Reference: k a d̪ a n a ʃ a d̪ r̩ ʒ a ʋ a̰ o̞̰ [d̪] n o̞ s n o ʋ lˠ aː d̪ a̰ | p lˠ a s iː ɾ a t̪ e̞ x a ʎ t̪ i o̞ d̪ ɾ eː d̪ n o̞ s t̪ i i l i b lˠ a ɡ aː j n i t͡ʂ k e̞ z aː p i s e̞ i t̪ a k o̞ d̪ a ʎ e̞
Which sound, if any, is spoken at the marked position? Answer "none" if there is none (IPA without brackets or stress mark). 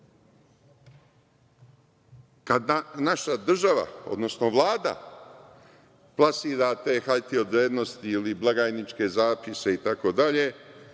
d̪